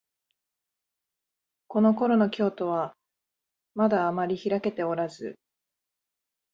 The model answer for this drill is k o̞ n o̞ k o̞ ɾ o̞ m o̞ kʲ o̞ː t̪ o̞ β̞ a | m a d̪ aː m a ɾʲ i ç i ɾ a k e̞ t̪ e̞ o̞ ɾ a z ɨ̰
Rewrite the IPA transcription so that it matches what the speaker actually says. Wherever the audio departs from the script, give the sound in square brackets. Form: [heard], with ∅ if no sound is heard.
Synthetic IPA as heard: k o̞ n o̞ k o̞ ɾ o̞ [n] o̞ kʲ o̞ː t̪ o̞ β̞ a | m a d̪ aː m a ɾʲ i ç i ɾ a k e̞ t̪ e̞ o̞ ɾ a z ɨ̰